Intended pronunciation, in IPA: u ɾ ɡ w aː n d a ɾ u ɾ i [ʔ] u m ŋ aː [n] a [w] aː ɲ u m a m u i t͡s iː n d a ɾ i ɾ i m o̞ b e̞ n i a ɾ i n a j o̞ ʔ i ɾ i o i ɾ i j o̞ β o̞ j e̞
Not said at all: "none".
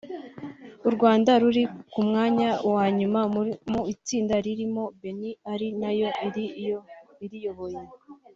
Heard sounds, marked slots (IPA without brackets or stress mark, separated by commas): k, ɲ, w